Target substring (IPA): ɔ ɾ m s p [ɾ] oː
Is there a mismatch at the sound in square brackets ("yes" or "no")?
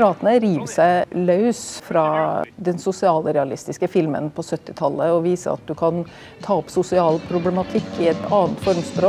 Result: no